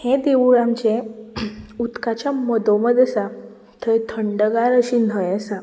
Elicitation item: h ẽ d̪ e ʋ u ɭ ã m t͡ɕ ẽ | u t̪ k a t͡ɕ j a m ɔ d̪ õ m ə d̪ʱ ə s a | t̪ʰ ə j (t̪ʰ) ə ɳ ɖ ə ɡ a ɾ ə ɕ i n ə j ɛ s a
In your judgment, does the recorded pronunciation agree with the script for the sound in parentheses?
yes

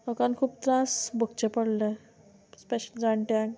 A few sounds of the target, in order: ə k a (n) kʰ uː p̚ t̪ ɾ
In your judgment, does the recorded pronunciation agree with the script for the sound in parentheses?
yes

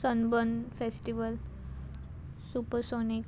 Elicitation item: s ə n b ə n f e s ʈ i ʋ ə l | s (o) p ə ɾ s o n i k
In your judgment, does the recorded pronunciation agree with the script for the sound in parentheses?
no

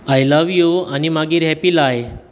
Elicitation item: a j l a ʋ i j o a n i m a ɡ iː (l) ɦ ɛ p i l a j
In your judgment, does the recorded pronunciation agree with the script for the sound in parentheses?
no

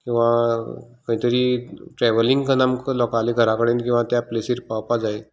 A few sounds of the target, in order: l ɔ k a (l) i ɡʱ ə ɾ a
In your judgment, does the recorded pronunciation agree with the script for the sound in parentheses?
yes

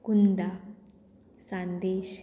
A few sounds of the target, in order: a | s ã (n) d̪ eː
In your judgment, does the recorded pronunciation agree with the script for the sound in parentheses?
yes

